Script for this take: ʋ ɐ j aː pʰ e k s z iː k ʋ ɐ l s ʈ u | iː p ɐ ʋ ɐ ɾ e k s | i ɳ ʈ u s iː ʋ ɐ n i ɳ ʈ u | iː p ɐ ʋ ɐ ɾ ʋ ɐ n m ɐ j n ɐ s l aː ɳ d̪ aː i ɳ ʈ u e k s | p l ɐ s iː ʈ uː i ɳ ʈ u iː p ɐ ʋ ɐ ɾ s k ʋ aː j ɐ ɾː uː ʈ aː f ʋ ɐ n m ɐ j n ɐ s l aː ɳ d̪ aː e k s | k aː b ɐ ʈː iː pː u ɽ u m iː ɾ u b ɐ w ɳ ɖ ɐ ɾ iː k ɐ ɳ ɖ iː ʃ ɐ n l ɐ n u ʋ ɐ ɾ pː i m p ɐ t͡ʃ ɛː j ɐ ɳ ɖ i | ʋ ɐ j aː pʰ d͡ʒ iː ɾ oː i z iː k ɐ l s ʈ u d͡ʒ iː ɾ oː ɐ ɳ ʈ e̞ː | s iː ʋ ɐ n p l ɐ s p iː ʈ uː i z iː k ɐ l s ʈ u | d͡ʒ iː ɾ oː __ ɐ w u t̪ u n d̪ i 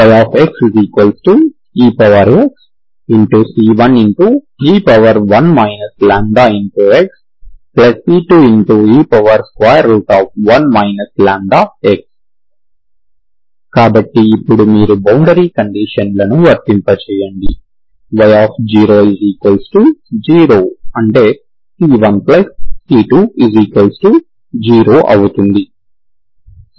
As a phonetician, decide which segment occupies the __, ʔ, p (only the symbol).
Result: ʔ